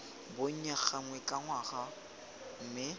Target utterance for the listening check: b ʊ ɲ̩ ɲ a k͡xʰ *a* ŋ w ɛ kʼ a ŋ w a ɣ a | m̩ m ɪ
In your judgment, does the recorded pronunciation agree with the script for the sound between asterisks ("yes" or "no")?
yes